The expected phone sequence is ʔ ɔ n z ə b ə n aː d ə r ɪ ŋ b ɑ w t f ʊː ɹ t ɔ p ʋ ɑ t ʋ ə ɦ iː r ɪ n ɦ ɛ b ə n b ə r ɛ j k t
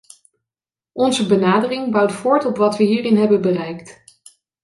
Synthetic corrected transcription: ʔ ɔ n z ə b ə n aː d ə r ɪ ŋ b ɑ w t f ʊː ɹ t ɔ p ʋ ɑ t ʋ ə ɦ iː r ɪ n ɦ ɛ b ə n b ə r ɛ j k t